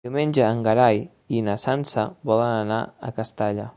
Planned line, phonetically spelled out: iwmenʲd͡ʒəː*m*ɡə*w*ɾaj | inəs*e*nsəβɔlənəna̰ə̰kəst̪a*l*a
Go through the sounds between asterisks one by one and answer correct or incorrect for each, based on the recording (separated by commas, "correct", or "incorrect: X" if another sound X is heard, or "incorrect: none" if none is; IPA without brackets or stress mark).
incorrect: ŋ, incorrect: none, incorrect: a, incorrect: ʎ